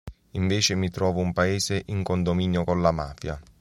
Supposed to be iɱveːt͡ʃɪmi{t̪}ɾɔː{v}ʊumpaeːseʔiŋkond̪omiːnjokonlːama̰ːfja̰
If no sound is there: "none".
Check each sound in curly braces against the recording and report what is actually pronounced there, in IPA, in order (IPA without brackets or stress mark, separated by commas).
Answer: t̪, v